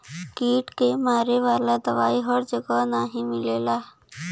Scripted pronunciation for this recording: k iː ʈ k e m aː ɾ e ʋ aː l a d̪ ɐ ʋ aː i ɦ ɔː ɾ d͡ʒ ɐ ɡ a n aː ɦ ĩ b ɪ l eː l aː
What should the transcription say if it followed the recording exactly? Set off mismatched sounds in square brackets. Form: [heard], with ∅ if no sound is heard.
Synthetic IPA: k iː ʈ k e m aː ɾ e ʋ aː l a d̪ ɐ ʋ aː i ɦ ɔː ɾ d͡ʒ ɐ ɡ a n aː ɦ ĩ [m] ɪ l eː l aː